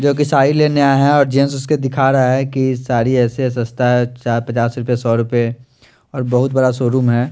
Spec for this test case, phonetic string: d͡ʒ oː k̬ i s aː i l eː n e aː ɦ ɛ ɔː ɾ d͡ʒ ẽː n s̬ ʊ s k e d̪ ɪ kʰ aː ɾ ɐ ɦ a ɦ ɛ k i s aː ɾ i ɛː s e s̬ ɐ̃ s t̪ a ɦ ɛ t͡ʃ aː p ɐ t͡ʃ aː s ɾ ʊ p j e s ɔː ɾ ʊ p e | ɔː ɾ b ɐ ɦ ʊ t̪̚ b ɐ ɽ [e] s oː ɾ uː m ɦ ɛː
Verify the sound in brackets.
incorrect: a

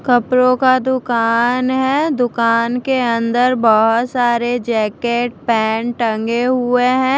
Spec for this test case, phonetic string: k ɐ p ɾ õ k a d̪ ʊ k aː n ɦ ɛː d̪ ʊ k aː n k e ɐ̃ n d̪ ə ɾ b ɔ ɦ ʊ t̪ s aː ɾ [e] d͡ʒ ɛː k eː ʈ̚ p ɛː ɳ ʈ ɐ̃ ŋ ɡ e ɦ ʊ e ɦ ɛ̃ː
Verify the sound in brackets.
correct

